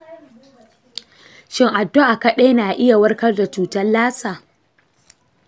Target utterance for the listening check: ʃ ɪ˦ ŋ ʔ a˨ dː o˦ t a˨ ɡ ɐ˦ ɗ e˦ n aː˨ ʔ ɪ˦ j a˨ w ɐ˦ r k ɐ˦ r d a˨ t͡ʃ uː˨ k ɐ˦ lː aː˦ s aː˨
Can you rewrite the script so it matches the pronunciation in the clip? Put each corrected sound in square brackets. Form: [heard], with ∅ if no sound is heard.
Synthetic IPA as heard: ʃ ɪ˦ ŋ ʔ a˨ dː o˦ [ʔ] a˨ [k] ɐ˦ ɗ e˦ n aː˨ ʔ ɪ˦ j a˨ w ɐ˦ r k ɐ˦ r d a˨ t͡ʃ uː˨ [t] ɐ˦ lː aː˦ s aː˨